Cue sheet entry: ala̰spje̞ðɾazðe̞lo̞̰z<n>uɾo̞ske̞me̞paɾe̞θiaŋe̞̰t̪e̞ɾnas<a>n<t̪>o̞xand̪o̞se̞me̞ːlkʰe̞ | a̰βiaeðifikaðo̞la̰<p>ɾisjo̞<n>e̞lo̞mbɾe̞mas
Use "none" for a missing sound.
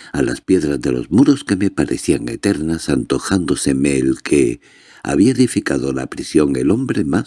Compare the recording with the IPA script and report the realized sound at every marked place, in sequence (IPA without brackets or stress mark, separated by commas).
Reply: m, a, t̪, p, ŋ